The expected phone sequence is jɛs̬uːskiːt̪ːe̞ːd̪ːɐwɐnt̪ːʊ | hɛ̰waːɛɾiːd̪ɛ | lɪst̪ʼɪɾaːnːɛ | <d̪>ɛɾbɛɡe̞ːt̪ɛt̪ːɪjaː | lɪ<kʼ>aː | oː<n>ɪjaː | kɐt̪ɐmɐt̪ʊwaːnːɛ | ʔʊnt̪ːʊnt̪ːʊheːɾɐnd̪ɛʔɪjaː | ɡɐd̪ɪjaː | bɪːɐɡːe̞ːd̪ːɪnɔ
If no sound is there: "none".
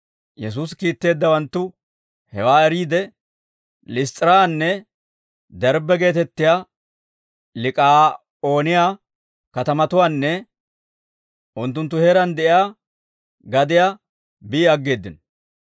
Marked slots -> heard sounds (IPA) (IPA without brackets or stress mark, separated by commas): d̪, kʼ, n